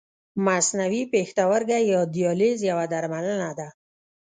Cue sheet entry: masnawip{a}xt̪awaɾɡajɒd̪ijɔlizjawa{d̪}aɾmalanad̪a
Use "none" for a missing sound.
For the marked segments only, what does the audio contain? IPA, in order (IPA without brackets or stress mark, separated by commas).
e, d̪